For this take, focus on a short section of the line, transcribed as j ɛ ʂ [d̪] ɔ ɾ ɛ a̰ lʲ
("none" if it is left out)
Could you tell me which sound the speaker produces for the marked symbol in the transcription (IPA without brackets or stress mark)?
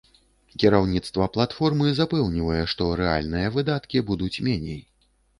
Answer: t̪